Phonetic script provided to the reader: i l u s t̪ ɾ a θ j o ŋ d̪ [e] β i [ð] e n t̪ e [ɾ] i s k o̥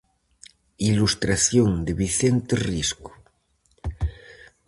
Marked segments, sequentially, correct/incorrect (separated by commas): correct, incorrect, incorrect